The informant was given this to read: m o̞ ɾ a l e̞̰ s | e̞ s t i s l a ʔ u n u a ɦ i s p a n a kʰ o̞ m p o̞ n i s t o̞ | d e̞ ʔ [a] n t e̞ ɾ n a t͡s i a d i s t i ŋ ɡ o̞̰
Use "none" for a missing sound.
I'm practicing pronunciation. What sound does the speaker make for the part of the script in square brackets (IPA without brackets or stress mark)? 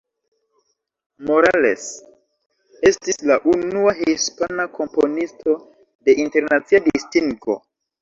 i